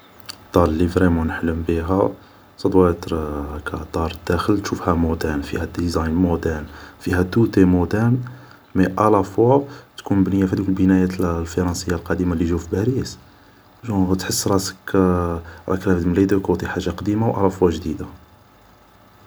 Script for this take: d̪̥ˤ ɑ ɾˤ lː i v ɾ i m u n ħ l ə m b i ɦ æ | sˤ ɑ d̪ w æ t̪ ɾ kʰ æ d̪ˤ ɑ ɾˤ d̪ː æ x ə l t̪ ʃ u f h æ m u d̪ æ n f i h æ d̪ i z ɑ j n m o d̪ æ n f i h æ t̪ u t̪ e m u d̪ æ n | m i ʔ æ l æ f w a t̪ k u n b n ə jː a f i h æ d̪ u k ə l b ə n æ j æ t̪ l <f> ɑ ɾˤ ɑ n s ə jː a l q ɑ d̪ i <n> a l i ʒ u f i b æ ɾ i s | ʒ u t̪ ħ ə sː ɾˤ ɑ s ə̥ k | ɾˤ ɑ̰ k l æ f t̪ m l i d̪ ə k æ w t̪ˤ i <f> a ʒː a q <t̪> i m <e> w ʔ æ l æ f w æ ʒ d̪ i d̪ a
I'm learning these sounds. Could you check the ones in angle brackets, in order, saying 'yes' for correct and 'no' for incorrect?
yes, no, no, no, no

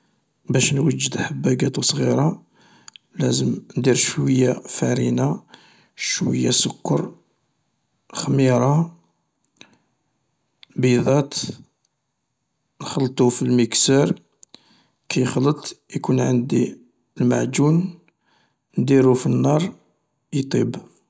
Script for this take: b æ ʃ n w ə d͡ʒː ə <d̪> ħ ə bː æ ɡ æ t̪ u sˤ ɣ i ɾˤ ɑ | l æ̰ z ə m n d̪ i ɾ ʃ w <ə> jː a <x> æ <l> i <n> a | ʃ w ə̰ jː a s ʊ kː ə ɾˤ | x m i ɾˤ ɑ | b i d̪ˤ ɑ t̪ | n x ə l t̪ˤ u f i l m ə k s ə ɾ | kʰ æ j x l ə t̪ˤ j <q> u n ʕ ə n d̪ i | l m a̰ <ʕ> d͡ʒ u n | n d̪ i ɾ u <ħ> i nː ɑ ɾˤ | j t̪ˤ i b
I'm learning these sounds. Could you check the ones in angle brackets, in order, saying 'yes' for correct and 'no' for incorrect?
yes, yes, no, no, yes, no, yes, no

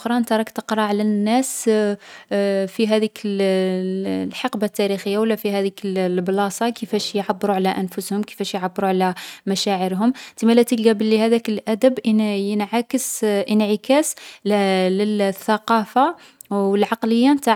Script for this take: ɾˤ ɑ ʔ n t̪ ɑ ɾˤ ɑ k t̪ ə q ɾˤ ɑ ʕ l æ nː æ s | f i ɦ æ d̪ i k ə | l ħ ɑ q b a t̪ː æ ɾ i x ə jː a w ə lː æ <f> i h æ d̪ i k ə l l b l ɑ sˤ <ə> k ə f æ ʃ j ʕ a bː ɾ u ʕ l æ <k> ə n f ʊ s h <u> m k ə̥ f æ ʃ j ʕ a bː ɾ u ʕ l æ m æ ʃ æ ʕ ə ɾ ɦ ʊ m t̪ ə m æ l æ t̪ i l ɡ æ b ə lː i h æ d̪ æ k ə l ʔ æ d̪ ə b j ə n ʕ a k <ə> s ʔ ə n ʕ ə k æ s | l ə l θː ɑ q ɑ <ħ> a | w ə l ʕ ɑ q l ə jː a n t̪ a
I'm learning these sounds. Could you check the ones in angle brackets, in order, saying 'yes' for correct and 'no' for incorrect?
yes, no, no, no, yes, no

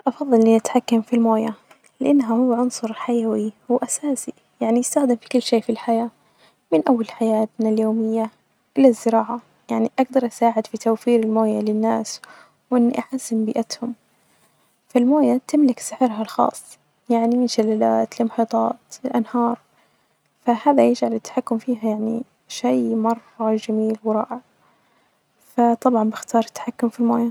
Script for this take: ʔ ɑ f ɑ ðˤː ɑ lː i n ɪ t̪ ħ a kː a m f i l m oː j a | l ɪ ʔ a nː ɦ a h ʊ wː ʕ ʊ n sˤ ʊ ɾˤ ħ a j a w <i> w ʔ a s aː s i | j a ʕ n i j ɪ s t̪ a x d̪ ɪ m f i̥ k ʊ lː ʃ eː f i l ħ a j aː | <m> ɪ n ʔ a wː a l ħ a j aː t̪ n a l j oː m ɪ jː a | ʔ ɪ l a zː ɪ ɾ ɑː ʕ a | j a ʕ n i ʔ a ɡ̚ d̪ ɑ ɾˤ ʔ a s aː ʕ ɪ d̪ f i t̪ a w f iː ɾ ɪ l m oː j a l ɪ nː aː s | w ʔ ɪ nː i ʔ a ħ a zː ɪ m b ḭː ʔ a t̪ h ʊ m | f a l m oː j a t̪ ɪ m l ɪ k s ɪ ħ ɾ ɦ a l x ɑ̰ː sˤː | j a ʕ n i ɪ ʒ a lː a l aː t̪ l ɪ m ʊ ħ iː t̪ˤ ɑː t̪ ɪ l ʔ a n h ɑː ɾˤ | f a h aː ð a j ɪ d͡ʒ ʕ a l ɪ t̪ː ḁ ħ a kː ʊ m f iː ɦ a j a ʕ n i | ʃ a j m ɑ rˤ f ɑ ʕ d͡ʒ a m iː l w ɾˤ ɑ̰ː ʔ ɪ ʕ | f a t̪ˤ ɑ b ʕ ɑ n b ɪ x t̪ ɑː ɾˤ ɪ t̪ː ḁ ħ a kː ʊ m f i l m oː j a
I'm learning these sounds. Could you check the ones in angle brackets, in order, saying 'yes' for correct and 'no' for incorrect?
yes, yes

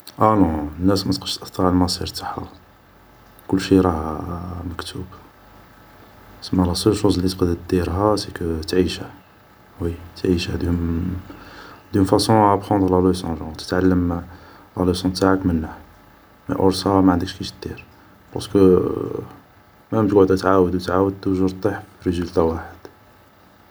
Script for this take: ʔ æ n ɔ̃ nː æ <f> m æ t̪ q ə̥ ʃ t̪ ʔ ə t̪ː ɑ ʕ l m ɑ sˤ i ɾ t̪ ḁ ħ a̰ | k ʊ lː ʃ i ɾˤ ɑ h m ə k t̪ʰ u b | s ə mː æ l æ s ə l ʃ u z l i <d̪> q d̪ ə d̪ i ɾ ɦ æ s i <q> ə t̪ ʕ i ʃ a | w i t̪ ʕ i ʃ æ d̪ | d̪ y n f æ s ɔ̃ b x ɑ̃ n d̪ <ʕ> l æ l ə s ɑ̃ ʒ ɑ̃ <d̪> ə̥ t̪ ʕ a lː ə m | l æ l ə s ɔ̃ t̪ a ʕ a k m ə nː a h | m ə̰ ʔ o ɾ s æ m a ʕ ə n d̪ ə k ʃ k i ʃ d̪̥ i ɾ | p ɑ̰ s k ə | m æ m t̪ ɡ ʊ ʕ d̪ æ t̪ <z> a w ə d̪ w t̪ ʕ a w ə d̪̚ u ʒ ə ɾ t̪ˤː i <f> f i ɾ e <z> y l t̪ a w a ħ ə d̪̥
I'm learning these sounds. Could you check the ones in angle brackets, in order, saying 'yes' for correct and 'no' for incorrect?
no, no, no, no, no, no, no, yes

